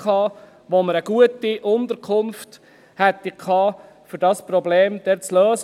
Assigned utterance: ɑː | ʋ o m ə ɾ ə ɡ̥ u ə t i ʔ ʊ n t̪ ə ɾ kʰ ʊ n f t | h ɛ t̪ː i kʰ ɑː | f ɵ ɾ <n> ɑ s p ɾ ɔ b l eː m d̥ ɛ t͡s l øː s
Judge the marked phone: incorrect: d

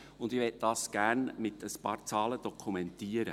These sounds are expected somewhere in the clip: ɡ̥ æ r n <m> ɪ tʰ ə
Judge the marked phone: correct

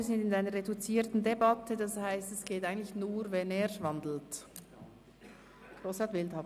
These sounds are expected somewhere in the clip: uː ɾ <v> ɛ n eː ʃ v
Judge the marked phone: correct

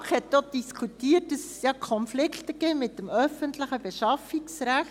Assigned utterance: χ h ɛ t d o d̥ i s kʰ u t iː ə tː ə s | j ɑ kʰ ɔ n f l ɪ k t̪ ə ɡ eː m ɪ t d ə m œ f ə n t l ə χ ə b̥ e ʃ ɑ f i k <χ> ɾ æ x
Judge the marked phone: incorrect: s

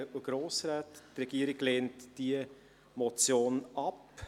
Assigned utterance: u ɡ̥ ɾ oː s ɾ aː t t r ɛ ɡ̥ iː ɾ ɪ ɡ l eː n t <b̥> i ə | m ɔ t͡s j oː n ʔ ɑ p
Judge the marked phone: incorrect: d̥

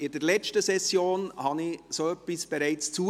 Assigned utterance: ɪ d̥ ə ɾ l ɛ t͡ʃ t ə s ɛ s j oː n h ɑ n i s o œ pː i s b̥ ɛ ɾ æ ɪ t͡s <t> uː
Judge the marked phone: incorrect: t͡s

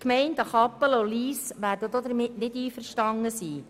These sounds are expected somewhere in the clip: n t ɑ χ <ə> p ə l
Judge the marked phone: incorrect: ɑ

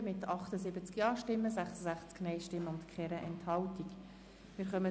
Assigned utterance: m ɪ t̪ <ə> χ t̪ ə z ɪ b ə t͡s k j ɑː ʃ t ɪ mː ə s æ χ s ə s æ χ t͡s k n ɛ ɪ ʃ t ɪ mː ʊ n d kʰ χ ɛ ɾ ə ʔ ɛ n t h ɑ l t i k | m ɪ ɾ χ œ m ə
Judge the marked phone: incorrect: ɑ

